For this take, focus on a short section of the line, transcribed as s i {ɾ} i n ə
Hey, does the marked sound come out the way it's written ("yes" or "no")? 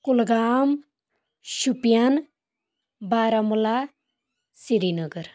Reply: yes